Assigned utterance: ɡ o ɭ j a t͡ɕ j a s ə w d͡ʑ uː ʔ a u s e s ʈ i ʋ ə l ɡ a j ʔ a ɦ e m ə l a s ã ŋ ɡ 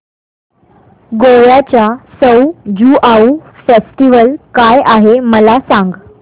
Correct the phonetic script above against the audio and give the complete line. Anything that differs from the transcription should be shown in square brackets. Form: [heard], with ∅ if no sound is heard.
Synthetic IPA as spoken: ɡ o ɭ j a t͡ɕ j a s ə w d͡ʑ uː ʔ a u [f] e s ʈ i ʋ ə l [k] a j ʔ a ɦ e m ə l a s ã ŋ ɡ

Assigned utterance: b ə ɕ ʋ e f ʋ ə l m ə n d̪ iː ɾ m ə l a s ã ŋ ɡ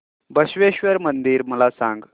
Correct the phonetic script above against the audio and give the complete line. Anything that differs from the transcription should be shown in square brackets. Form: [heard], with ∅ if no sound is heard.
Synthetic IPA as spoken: b ə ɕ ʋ e [ɕ] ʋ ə [ɾ] m ə n d̪ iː ɾ m ə l a s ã ŋ ɡ

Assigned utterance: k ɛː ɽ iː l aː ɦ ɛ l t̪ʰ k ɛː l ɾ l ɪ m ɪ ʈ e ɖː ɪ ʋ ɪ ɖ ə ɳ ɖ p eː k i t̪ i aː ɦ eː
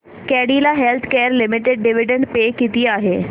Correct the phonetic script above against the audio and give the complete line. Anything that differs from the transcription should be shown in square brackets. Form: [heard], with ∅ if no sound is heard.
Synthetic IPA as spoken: k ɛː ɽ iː l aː ɦ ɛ l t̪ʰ k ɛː [∅] ɾ l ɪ m ɪ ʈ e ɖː ɪ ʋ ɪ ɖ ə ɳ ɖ p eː k i t̪ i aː ɦ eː

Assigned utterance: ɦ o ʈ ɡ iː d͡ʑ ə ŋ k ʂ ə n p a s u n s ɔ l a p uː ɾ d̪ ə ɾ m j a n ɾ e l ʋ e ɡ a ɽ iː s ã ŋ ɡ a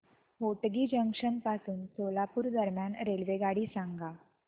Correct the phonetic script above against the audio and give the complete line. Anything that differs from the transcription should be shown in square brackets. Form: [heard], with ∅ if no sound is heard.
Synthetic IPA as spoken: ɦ o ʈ ɡ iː d͡ʑ ə ŋ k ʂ ə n p a s [uː] n s [o] l a p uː ɾ d̪ ə ɾ m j a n ɾ e l ʋ e ɡ a ɽ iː s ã ŋ ɡ a

